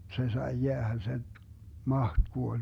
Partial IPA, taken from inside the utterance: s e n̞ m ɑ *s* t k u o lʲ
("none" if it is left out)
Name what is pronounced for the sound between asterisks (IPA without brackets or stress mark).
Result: h